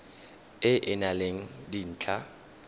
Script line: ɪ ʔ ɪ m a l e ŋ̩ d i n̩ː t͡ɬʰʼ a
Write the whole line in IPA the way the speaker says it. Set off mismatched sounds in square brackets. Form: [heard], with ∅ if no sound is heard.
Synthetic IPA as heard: ɪ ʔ ɪ [n] a l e ŋ̩ d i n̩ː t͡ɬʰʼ a